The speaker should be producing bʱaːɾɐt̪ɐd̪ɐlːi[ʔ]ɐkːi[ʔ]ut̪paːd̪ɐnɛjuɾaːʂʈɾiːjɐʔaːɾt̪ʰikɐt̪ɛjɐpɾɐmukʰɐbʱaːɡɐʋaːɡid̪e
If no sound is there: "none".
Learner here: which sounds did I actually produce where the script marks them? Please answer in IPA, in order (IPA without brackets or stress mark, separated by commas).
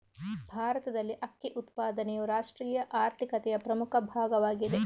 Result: ʔ, ʔ